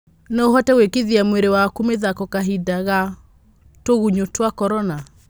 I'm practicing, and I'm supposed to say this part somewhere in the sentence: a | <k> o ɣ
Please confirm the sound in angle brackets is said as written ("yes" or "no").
no